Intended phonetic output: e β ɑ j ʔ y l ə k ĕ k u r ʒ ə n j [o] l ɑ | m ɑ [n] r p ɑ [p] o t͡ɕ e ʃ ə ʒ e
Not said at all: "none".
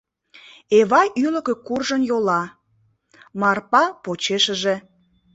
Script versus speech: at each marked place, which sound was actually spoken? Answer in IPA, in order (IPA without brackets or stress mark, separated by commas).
o, none, p